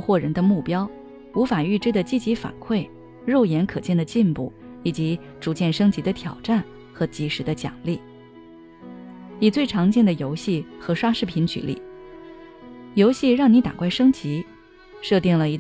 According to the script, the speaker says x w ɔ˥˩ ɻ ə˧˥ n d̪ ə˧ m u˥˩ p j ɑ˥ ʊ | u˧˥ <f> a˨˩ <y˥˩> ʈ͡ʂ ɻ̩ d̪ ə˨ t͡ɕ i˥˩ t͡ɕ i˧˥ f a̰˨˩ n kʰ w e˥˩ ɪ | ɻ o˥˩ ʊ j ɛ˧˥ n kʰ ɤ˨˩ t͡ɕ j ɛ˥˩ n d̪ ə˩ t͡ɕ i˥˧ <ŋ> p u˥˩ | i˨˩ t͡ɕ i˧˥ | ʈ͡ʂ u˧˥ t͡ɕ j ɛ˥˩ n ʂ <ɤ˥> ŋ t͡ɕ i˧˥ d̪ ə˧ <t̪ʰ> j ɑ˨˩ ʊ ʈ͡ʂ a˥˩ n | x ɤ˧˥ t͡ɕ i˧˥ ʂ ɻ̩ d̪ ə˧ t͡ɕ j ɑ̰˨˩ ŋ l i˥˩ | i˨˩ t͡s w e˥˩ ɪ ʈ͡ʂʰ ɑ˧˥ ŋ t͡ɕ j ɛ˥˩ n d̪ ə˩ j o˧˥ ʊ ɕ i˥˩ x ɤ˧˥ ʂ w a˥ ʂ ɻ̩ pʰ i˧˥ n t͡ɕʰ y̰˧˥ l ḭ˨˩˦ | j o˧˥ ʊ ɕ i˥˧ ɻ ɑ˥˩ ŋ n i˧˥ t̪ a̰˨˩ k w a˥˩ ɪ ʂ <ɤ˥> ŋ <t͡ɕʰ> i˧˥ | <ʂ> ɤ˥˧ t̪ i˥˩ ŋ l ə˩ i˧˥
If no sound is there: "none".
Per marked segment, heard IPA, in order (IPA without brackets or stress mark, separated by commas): f, y˥˩, n, ɤ˥, t̪ʰ, ɤ˥, t͡ɕ, ʂ